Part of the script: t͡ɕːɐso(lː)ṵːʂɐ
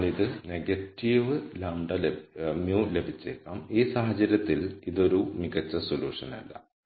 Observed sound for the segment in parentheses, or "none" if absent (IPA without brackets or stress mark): l